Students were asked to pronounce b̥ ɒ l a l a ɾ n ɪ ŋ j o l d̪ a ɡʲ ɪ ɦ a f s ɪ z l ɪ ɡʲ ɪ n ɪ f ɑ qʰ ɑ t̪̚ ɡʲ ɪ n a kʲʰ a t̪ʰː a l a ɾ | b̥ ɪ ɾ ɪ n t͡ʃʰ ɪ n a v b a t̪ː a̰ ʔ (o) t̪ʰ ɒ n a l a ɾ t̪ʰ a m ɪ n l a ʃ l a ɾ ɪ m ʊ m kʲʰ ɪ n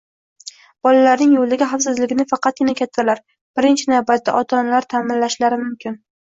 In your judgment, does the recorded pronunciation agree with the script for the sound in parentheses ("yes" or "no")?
no